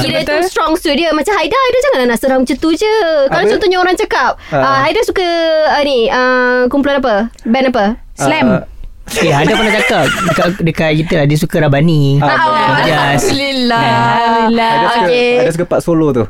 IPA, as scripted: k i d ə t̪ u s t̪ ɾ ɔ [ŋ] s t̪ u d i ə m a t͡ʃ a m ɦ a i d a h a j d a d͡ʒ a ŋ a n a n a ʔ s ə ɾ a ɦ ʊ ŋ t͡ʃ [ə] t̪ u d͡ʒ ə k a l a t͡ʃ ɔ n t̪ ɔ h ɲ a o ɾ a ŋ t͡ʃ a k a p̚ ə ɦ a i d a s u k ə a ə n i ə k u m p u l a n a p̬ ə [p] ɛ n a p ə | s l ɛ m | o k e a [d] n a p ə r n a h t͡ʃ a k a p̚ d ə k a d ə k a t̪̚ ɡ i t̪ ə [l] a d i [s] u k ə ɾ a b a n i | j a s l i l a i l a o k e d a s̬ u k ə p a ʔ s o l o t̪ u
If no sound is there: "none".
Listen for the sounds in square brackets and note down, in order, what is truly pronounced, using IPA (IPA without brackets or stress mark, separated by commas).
ŋ, ə, b, d, l, s